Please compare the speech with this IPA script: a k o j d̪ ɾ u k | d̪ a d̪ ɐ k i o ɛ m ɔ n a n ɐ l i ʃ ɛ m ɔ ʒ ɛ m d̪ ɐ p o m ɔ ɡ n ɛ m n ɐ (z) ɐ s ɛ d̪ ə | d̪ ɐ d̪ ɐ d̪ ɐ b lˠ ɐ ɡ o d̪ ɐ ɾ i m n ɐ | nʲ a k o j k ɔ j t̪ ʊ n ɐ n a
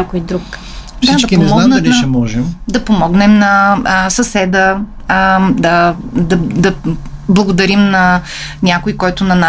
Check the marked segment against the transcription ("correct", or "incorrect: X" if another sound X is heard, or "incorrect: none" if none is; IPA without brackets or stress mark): incorrect: s